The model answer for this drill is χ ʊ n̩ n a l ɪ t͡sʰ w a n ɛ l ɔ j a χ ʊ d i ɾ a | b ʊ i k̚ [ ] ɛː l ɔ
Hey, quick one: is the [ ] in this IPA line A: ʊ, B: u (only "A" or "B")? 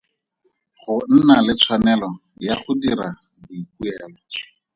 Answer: B